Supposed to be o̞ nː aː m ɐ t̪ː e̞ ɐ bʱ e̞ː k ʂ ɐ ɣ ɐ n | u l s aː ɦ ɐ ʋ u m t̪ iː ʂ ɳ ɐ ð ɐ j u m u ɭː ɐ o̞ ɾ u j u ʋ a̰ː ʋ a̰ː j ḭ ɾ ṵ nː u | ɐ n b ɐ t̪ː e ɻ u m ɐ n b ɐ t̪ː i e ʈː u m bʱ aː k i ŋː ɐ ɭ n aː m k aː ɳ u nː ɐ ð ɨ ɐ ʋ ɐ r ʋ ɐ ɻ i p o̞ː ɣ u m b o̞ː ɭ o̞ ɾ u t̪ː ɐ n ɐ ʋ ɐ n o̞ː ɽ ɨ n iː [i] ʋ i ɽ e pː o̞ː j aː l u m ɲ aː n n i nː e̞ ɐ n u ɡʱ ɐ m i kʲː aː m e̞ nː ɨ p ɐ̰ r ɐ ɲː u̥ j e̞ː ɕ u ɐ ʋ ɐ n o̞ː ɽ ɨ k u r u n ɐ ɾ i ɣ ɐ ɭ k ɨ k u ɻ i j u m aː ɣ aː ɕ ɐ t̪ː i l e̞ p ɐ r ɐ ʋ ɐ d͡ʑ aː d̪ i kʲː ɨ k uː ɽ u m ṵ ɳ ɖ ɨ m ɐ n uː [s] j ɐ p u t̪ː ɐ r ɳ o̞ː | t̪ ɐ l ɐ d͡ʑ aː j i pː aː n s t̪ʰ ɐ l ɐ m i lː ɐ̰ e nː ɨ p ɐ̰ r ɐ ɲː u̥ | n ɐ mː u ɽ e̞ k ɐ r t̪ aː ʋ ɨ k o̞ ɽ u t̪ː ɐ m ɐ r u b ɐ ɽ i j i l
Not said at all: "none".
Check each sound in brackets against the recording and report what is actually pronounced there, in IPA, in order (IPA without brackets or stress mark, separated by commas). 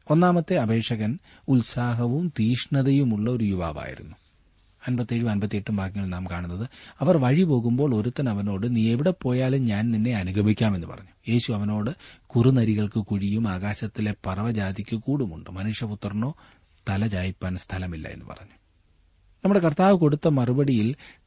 e, ʂ